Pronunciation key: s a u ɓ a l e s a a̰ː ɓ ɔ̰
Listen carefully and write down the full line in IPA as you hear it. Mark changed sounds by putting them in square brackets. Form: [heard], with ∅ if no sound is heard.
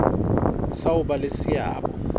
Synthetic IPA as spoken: s a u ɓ a l e s [i] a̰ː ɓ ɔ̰